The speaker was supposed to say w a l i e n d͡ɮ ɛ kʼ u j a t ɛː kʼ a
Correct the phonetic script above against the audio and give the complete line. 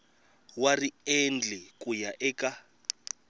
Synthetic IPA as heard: w a r i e n d͡ɮ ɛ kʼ u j a ʔ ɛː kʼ a